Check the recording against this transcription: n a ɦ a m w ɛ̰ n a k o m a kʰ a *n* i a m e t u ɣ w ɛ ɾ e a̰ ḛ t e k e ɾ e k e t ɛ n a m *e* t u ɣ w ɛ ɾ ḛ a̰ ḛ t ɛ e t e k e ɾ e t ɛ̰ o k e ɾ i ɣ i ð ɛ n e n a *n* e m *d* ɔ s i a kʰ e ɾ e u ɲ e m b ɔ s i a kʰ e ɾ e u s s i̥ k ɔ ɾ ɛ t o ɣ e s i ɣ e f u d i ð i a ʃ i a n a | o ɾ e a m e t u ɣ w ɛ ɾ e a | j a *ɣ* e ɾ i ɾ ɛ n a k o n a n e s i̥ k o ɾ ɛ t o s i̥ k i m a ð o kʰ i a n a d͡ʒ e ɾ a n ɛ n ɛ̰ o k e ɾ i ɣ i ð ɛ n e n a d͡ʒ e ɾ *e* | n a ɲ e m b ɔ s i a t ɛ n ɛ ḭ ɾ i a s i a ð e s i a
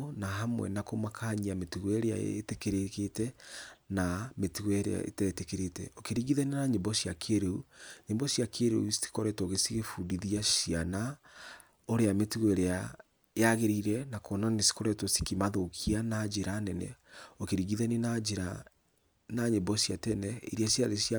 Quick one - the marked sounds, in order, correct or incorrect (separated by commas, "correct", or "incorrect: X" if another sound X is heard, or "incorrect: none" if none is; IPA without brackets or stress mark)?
incorrect: ɲ, correct, incorrect: ɲ, incorrect: b, correct, incorrect: a